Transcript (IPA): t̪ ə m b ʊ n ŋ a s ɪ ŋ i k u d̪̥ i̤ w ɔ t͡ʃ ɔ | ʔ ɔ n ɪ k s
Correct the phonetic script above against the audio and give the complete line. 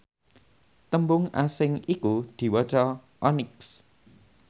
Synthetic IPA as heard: t̪ ə m b ʊ ŋ a s ɪ ŋ i k u d̪̥ i̤ w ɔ t͡ʃ ɔ | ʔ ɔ n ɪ k s